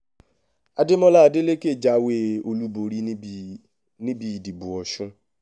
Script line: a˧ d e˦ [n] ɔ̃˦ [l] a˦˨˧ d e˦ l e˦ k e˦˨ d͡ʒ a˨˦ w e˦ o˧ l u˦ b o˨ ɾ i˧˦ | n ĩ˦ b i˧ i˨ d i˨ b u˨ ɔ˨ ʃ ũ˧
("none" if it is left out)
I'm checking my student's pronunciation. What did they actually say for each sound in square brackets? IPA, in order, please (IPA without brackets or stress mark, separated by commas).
m, l